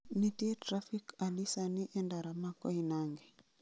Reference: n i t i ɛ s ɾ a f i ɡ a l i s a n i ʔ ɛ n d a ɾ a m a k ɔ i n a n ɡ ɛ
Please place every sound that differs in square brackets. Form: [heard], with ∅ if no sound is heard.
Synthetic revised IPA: n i t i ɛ [t] ɾ a f i [k] a l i s a n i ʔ ɛ n d a ɾ a m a k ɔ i n a [ŋ] ɡ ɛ